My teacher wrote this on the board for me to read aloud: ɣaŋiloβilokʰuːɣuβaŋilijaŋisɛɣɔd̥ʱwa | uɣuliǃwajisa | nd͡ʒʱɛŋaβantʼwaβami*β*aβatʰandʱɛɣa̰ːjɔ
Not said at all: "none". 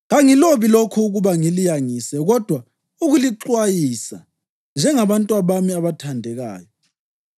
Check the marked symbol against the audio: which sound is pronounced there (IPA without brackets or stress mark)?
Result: none